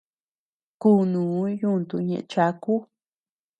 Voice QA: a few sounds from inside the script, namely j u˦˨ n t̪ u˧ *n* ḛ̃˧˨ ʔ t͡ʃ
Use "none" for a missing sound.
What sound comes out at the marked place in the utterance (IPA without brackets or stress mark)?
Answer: ɲ